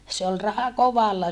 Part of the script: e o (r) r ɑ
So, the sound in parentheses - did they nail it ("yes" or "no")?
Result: no